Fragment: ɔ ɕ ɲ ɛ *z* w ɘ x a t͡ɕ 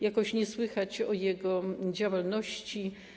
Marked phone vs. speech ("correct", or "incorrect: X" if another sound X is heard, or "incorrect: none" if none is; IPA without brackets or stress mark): incorrect: s